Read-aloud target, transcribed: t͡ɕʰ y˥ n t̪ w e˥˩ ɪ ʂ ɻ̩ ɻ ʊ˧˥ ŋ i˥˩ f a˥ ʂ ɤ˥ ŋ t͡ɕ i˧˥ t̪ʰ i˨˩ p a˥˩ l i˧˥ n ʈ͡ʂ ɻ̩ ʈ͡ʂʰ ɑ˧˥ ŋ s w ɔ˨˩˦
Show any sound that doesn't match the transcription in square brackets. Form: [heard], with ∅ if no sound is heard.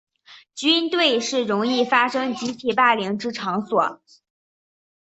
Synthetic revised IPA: [t͡ɕ] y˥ n t̪ w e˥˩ ɪ ʂ ɻ̩ ɻ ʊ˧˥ ŋ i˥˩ f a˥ ʂ ɤ˥ ŋ t͡ɕ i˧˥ t̪ʰ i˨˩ p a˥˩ l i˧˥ [ŋ] ʈ͡ʂ ɻ̩ ʈ͡ʂʰ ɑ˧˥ ŋ s w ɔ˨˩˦

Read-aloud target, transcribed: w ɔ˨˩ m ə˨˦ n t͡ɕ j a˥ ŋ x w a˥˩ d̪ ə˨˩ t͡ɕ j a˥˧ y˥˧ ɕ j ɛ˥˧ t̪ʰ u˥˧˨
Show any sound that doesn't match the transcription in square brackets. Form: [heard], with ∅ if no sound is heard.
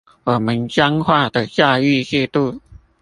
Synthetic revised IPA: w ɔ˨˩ m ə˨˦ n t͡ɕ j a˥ ŋ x w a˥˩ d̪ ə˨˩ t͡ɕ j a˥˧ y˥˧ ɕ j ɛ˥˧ [t̪] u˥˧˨

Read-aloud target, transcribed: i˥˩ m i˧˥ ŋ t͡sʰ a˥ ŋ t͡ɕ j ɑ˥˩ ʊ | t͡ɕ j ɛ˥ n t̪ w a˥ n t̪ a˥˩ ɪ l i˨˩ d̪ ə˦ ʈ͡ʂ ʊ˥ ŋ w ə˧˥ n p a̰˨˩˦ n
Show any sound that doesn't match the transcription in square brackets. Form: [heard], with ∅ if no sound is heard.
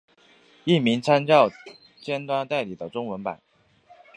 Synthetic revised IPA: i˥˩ m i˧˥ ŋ t͡sʰ a˥ [n] t͡ɕ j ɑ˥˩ ʊ | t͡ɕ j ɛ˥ n t̪ w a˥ n t̪ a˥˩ ɪ l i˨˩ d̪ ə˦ ʈ͡ʂ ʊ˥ ŋ w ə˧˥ n p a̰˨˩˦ n

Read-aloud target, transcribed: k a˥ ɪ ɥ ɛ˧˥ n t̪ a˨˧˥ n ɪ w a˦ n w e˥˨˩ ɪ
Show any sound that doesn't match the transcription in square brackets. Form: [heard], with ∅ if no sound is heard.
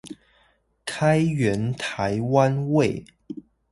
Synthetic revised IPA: [kʰ] a˥ ɪ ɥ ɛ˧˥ n [t̪ʰ] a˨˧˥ [∅] ɪ w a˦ n w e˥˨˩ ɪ

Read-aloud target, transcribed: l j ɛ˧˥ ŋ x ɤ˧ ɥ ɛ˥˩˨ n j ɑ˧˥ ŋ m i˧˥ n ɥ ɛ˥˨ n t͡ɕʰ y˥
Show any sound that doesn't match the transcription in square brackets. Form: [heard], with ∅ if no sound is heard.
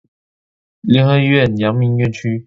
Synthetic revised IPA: l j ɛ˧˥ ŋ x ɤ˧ ɥ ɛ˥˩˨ n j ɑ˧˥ ŋ m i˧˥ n ɥ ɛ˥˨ n t͡ɕʰ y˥

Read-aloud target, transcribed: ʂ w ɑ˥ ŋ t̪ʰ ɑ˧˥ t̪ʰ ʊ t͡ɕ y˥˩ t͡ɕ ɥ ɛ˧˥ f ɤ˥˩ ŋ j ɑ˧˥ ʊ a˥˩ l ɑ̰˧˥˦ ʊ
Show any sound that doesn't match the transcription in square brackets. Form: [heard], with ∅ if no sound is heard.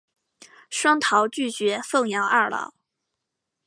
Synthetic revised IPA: ʂ w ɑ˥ ŋ t̪ʰ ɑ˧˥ [∅] ʊ t͡ɕ y˥˩ t͡ɕ ɥ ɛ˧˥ f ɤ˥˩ ŋ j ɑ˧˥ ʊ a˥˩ l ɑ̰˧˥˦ ʊ

